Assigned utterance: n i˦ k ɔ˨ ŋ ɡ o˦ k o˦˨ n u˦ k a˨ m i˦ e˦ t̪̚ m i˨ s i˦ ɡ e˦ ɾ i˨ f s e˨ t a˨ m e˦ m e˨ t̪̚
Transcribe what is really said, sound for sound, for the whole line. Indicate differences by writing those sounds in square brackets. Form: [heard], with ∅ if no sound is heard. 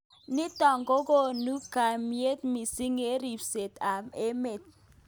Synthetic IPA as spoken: n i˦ [t] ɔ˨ ŋ ɡ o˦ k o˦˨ n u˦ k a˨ m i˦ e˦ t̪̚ m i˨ s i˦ [ŋ] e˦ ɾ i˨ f s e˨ t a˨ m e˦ m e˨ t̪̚